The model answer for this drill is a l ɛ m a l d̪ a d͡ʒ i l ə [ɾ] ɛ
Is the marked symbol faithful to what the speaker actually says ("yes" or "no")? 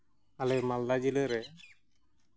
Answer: yes